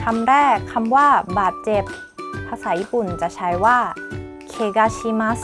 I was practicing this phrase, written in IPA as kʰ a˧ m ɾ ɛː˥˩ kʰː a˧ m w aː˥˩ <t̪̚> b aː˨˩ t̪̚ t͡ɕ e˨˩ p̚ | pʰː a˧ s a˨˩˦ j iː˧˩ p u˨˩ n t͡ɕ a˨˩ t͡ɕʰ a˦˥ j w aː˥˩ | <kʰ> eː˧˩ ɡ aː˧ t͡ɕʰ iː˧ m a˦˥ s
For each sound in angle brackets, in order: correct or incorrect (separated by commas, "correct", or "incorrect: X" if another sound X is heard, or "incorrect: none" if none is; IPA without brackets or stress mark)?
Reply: incorrect: none, correct